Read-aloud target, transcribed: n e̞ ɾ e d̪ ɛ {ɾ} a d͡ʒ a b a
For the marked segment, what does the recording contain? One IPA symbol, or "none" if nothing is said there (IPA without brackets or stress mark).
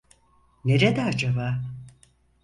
none